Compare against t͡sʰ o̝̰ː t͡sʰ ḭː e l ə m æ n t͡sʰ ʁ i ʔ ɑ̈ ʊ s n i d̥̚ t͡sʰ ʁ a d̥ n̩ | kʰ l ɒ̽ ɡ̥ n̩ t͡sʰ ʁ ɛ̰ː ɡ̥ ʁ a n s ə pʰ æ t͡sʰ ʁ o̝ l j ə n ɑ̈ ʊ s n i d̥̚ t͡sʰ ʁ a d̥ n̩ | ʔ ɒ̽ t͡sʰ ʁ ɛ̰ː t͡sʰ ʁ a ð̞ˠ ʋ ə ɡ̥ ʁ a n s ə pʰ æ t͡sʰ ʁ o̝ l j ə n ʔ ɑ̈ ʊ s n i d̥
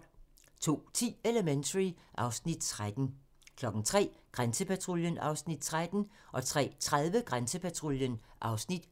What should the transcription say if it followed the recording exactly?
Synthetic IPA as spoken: t͡sʰ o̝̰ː t͡sʰ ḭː e l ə m e n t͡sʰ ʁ i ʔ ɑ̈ ʊ s n i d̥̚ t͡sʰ ʁ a d̥ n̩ | kʰ l ɒ̽ ɡ̥ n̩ t͡sʰ ʁ ɛ̰ː ɡ̥ ʁ a n s ə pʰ æ t͡sʰ ʁ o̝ l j ə n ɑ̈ ʊ s n i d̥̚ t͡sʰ ʁ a d̥ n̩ | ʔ ɒ̽ t͡sʰ ʁ ɛ̰ː t͡sʰ ʁ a ð̞ˠ ʋ ə ɡ̥ ʁ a n s ə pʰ æ t͡sʰ ʁ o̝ l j ə n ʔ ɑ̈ ʊ s n i d̥